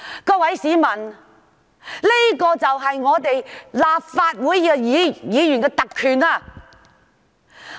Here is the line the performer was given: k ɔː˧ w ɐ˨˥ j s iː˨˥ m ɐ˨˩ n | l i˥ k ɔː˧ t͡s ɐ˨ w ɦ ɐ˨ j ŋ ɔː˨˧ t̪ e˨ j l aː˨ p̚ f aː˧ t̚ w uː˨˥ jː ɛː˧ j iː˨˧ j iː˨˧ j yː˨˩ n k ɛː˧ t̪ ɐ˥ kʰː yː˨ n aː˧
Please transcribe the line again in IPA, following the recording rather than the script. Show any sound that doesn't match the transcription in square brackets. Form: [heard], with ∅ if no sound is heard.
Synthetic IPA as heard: k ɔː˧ w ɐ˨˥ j s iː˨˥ m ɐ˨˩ n | l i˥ k ɔː˧ t͡s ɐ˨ w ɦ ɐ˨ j ŋ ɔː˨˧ t̪ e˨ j l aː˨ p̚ f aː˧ t̚ w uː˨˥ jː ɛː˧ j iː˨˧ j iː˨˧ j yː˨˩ n k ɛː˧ t̪ [ɐ˨] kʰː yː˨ n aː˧